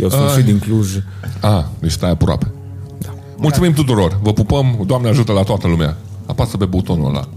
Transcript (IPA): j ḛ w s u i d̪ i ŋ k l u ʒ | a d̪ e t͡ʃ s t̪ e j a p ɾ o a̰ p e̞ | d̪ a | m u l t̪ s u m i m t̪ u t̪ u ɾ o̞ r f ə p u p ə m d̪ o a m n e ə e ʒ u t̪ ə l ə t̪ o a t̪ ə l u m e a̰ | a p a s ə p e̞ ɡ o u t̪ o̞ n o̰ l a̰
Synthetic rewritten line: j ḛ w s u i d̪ i ŋ k l u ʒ | a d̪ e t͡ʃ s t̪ a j a p ɾ o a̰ p e̞ | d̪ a | m u l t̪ s u m i m t̪ u t̪ u ɾ o̞ r v ə p u p ə m d̪ o a m n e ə a ʒ u t̪ ə l a t̪ o a t̪ ə l u m e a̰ | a p a s ə p e̞ b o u t̪ o̞ n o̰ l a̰